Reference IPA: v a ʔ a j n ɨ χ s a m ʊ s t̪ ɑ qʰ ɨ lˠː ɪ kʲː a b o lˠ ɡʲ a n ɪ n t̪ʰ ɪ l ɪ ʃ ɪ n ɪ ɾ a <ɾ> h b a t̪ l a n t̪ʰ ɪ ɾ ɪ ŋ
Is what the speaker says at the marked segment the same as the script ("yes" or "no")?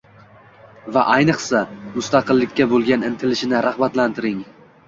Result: no